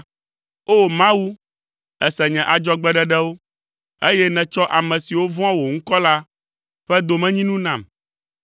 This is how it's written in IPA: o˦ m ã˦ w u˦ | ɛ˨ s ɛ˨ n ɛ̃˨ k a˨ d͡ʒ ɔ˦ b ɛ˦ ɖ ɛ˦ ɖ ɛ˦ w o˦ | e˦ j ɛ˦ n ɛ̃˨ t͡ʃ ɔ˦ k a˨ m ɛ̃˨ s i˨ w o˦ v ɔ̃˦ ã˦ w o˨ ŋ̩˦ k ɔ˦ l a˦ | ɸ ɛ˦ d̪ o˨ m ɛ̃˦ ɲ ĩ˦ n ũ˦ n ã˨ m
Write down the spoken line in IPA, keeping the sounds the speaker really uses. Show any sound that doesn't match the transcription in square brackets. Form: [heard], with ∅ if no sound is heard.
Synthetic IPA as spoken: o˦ m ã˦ w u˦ | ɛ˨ s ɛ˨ [ɲ] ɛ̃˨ [ʔ] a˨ d͡ʒ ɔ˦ [ɡ͡b] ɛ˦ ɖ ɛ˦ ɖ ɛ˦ w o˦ | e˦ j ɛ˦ n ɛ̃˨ t͡ʃ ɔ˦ [ʔ] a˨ m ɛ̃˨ s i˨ w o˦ v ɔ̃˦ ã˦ w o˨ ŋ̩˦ k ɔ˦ l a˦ | ɸ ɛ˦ d̪ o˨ m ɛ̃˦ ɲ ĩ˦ n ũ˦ n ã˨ m